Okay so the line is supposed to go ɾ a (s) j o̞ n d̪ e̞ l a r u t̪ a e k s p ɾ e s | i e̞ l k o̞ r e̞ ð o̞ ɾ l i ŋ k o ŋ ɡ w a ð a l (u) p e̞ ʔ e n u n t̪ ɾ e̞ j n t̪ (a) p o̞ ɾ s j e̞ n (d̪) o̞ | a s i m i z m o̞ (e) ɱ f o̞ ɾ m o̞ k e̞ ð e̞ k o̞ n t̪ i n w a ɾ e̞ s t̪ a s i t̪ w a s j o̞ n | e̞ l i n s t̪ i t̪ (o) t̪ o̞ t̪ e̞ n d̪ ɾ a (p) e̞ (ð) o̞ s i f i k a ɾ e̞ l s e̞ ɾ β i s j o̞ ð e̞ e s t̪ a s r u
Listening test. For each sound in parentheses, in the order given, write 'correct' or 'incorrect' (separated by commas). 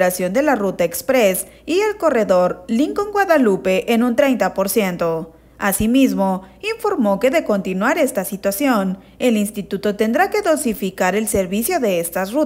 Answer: correct, correct, correct, incorrect, incorrect, incorrect, incorrect, correct